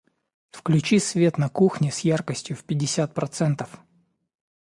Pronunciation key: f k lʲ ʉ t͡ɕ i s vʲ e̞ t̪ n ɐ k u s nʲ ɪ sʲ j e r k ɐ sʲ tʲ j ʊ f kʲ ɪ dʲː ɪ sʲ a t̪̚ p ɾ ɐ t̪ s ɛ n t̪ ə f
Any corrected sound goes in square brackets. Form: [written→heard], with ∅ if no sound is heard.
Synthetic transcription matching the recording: f k lʲ ʉ t͡ɕ i s vʲ e̞ t̪ n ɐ k u [s→x] nʲ ɪ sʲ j [e→a] r k [ɐ→ə] sʲ tʲ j ʊ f [kʲ→pʲ] ɪ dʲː ɪ sʲ a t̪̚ p ɾ ɐ t̪ s ɛ n t̪ ə f